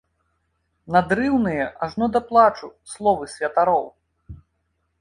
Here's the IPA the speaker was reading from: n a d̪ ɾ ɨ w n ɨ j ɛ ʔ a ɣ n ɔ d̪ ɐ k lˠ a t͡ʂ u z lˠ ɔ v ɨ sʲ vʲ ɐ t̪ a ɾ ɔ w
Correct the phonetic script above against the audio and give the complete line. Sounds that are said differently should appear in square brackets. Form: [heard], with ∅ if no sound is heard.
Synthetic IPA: n a d̪ ɾ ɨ w n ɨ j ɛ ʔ a [ʐ] n ɔ d̪ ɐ [p] lˠ a t͡ʂ u [s] lˠ ɔ v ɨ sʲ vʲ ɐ t̪ a ɾ ɔ w